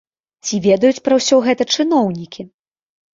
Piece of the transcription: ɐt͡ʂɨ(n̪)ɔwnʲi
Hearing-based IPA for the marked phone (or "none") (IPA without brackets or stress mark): n̪